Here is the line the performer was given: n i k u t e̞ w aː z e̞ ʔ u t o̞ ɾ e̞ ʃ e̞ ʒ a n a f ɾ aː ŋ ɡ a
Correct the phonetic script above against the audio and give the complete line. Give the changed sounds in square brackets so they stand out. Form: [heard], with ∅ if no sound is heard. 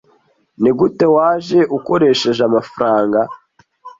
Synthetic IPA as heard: n i [ɡ] u t e̞ w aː [ʒ] e̞ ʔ u [k] o̞ ɾ e̞ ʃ e̞ ʒ a [m] a f ɾ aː ŋ ɡ a